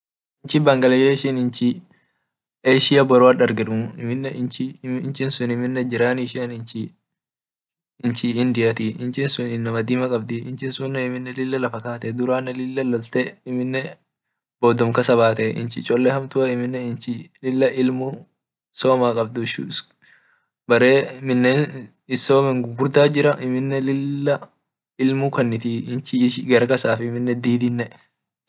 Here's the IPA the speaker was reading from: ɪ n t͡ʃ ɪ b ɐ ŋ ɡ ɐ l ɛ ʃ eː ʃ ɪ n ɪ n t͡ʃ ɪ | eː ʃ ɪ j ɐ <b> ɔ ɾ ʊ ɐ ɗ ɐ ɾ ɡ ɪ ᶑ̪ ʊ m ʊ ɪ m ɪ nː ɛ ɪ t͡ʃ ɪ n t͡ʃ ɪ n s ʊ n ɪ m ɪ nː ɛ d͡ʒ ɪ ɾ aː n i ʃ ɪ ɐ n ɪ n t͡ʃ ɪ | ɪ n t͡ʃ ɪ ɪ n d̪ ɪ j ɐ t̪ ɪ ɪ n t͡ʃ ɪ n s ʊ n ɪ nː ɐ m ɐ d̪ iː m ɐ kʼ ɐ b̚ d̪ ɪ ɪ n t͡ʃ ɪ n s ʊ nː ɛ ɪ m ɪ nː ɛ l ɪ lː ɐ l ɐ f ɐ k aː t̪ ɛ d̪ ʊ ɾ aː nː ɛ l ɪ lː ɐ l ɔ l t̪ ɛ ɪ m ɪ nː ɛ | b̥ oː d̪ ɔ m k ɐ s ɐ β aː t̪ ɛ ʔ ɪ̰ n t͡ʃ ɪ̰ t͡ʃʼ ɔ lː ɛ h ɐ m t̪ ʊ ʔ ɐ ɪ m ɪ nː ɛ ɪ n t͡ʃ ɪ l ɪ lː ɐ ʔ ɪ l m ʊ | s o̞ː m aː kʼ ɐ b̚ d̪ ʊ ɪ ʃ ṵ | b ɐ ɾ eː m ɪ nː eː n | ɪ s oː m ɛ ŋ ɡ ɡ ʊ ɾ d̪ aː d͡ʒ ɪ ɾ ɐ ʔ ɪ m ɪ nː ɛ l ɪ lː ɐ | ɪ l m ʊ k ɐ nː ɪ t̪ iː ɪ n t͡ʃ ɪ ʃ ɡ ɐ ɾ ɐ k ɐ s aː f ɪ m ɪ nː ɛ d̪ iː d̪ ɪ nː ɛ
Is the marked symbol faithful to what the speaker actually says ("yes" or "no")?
yes